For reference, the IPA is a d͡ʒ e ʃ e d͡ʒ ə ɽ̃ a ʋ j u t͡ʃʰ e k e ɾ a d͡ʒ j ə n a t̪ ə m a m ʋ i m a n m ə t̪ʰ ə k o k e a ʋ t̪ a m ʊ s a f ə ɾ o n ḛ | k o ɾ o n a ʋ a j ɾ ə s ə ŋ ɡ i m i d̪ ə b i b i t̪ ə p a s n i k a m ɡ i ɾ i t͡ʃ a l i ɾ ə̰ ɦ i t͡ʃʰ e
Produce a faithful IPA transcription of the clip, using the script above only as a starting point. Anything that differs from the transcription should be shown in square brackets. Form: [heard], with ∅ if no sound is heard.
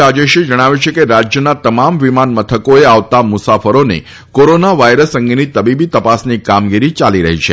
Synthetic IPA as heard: a d͡ʒ e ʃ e d͡ʒ ə ɽ̃ a ʋ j u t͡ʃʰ e k e ɾ a d͡ʒ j ə n a t̪ ə m a m ʋ i m a n m ə t̪ʰ ə k o [∅] e a ʋ t̪ a m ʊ s a f ə ɾ o n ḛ | k o ɾ o n a ʋ a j ɾ ə s ə ŋ ɡ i [n] i [t̪] ə b i b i t̪ ə p a s n i k a m ɡ i ɾ i t͡ʃ a l i ɾ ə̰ ɦ i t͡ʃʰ e